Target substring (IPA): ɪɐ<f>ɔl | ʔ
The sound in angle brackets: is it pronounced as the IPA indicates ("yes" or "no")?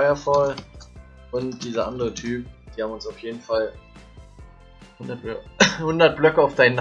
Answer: yes